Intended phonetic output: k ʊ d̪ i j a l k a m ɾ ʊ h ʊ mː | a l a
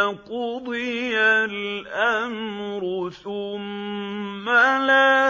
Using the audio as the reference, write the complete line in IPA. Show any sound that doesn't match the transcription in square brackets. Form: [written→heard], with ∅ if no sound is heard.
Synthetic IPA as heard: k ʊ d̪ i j a l [k→ʔ] a m ɾ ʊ [h→θ] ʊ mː | a l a

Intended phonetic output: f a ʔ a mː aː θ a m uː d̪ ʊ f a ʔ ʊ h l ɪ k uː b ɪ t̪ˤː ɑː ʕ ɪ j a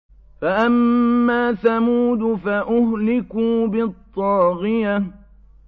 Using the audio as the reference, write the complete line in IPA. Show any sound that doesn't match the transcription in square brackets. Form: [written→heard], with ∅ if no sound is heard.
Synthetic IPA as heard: f a ʔ a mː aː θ a m uː d̪ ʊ f a ʔ ʊ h l ɪ k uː b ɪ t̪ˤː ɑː [ʕ→ɣ] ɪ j a

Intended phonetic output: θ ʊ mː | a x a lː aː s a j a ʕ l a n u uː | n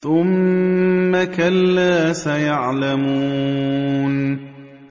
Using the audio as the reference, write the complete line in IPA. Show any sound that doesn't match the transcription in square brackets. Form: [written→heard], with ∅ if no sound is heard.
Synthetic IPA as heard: θ ʊ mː | a [x→k] a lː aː s a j a ʕ l a [n→m] u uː | n

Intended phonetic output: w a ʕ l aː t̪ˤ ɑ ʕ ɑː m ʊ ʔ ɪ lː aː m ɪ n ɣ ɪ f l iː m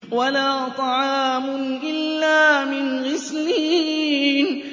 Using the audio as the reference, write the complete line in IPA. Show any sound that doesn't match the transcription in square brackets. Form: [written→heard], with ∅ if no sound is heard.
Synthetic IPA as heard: w a [ʕ→∅] l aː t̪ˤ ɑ ʕ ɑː m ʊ ʔ ɪ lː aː m ɪ n ɣ ɪ [f→s] l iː [m→n]

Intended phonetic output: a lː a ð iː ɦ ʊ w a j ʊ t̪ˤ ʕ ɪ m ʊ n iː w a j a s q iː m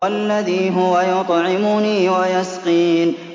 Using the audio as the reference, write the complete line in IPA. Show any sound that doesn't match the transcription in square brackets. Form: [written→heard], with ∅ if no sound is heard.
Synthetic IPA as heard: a lː a ð iː ɦ ʊ w a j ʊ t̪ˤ ʕ ɪ m ʊ n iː w a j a s q iː [m→n]

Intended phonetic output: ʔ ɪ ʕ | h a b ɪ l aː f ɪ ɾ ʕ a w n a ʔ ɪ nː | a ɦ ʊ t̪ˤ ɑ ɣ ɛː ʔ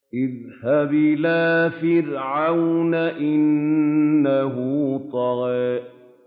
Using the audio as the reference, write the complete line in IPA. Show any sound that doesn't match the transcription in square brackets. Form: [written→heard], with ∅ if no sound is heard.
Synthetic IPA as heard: ʔ ɪ [ʕ→ð] | h a b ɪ l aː f ɪ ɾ ʕ a w n a ʔ ɪ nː | a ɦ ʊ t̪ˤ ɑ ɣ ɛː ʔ

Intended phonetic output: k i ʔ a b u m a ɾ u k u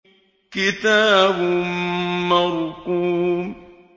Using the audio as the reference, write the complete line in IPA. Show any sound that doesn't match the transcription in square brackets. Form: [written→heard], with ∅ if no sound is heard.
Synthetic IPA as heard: k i [ʔ→t] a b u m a ɾ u k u

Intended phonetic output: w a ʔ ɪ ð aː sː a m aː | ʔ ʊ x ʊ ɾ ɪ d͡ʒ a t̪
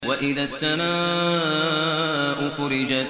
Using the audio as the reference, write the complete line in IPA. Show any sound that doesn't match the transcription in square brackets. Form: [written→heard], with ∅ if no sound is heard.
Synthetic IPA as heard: w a ʔ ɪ ð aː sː a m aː | ʔ ʊ x ʊ ɾ ɪ d͡ʒ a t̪

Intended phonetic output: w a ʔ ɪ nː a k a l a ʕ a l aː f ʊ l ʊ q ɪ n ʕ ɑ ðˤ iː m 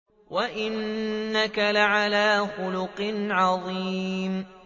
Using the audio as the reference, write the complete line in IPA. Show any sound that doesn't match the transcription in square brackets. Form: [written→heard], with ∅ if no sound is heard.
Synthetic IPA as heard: w a ʔ ɪ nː a k a l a ʕ a l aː [f→x] ʊ l ʊ q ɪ n ʕ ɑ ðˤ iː m

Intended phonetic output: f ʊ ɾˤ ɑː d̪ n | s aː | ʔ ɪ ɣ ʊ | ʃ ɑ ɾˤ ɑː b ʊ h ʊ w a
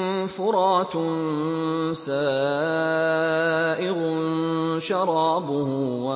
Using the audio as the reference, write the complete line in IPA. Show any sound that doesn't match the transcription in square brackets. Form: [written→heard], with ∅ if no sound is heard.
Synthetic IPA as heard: f ʊ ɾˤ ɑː [d̪→t̪] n | s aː | ʔ ɪ ɣ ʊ | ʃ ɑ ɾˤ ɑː b ʊ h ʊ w a

